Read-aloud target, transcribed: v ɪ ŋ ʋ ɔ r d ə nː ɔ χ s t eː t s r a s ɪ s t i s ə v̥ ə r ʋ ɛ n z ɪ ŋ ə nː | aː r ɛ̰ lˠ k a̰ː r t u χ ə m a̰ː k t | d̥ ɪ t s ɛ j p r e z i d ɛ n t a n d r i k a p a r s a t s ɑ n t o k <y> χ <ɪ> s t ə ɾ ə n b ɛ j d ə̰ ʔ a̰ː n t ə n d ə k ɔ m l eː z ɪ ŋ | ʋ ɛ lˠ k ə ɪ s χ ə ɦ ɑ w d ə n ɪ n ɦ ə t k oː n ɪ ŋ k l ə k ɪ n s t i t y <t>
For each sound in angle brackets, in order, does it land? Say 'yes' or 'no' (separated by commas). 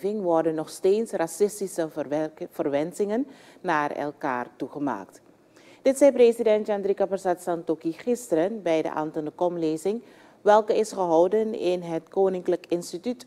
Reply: no, yes, yes